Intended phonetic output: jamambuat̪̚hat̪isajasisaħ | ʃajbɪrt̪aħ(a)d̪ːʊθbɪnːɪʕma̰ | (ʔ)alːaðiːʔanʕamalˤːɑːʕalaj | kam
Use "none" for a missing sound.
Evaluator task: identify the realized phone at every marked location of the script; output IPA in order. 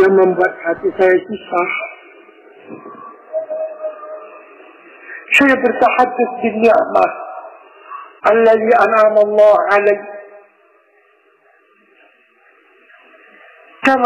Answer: a, ʔ

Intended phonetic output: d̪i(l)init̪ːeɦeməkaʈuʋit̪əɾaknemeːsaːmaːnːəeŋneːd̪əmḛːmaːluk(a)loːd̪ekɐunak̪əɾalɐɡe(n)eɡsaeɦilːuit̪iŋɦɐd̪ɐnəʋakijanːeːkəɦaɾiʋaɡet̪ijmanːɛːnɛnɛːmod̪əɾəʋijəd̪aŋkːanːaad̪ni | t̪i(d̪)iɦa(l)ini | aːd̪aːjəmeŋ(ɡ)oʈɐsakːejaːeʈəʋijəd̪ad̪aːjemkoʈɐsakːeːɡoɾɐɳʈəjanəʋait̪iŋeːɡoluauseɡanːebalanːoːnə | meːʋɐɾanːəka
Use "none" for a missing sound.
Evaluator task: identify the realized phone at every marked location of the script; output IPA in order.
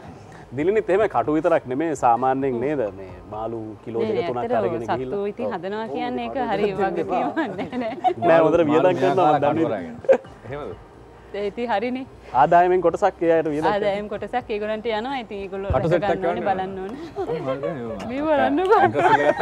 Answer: l, i, n, t̪, ɾ, k

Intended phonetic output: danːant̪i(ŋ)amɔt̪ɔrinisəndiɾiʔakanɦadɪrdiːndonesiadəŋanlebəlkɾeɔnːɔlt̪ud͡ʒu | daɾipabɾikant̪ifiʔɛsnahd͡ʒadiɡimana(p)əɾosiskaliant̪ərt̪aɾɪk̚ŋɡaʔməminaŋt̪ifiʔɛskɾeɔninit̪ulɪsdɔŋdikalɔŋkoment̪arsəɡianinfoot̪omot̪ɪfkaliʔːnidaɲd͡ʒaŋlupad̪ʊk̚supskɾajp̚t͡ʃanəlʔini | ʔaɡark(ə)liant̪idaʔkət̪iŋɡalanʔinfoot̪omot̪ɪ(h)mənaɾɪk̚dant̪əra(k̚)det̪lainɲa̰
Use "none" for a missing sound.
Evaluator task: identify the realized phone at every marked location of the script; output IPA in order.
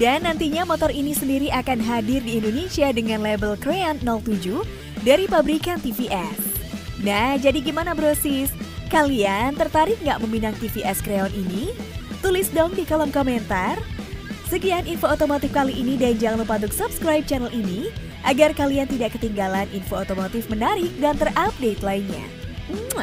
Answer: ɲ, b, a, f, p̚

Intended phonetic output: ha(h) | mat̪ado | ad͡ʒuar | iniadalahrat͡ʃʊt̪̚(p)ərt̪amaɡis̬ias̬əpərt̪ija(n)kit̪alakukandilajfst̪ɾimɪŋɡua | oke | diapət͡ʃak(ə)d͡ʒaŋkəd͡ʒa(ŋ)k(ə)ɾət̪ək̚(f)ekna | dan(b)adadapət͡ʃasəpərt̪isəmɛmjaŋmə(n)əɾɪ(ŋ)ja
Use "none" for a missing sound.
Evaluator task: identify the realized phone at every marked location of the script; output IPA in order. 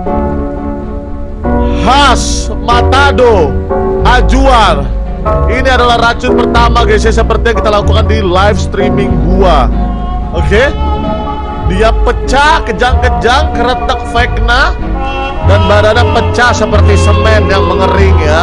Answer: s, p, ŋ, ə, ŋ, ə, f, b, ŋ, ŋ

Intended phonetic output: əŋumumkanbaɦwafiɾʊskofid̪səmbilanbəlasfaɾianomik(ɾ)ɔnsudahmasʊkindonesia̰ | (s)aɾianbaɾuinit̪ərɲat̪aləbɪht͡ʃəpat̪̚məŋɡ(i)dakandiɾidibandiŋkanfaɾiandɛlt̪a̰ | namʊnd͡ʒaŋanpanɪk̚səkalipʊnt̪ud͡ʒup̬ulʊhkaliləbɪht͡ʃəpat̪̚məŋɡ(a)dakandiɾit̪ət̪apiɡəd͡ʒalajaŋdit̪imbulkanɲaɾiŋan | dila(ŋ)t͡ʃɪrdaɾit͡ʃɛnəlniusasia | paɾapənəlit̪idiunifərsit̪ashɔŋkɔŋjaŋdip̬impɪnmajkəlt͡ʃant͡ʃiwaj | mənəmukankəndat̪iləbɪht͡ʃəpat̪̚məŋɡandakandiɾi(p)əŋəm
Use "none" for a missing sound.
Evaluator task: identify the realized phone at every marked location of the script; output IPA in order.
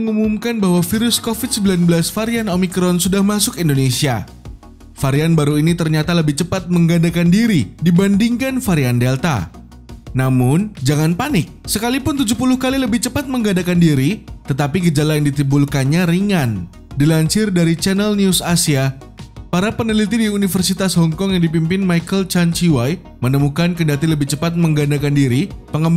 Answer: ɾ, f, a, a, ɲ, p

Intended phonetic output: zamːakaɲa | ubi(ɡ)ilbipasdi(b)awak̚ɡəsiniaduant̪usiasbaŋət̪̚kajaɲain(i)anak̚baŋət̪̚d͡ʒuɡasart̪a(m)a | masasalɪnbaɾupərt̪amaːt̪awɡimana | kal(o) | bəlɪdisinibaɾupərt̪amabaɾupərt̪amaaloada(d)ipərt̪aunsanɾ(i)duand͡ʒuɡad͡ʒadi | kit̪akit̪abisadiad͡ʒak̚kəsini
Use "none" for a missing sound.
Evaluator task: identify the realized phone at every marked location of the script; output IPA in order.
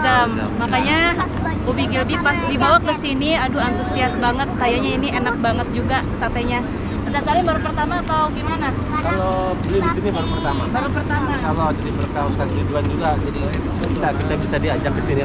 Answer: ɡ, b, i, ɲ, o, d, i

